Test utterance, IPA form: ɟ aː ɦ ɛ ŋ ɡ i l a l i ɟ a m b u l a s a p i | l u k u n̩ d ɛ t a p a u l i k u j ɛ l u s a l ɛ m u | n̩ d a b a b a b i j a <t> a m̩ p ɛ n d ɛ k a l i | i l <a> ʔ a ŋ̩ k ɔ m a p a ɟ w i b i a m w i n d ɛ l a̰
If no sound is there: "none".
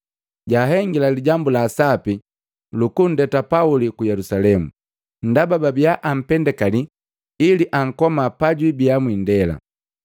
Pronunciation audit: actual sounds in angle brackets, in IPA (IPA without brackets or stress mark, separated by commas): ʔ, i